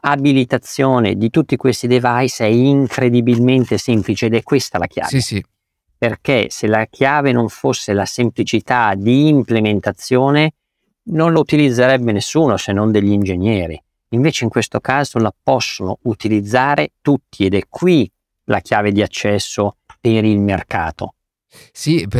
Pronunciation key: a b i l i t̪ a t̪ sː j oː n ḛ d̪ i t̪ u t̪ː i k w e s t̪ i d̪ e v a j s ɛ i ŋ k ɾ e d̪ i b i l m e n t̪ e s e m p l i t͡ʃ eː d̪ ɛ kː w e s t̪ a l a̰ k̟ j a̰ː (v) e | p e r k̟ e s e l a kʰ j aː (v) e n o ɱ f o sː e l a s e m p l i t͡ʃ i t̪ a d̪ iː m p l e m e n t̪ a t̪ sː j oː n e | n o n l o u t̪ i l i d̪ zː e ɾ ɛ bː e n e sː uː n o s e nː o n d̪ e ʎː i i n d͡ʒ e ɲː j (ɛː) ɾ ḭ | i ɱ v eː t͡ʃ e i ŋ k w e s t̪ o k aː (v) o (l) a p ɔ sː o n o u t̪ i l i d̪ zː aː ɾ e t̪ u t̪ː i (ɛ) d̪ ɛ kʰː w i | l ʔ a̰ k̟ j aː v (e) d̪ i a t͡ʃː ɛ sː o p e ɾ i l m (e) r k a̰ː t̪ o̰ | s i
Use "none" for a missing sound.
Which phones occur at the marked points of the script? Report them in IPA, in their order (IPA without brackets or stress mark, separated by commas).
v, v, ɛː, z, l, e, e, e